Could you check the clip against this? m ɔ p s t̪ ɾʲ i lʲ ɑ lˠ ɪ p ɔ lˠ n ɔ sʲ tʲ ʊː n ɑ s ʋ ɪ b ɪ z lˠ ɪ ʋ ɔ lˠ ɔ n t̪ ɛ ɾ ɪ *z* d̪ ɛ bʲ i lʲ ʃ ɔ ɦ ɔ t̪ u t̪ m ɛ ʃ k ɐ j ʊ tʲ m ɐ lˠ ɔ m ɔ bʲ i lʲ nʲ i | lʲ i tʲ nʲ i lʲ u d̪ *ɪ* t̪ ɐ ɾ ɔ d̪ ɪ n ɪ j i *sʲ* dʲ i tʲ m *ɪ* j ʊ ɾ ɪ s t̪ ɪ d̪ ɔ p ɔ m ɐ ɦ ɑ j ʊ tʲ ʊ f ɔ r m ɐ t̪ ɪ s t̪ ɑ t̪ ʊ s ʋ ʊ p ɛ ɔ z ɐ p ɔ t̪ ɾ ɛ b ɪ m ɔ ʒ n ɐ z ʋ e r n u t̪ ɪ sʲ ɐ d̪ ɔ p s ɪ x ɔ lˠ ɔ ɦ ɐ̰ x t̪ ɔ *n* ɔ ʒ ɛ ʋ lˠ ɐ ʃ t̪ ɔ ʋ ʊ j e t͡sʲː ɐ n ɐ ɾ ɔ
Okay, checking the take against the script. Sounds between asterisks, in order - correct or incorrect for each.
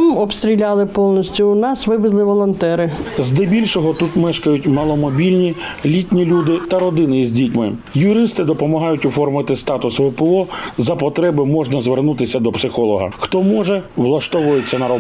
correct, correct, incorrect, correct, incorrect

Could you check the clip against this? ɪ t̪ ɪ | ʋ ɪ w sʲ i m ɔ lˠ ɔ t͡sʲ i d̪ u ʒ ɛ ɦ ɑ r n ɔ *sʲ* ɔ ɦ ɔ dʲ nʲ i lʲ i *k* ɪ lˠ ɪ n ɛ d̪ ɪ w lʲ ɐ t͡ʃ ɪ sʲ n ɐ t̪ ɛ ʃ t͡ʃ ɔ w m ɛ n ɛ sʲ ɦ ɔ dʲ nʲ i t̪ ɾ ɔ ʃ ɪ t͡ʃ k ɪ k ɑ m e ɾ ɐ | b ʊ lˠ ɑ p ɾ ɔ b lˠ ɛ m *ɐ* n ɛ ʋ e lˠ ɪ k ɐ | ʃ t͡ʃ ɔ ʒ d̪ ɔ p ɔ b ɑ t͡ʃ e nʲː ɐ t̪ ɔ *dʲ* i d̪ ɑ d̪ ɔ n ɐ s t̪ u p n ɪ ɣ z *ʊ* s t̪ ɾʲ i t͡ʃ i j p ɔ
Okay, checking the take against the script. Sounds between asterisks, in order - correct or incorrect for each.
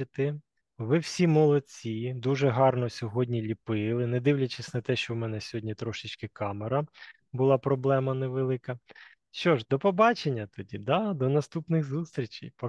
correct, incorrect, correct, correct, incorrect

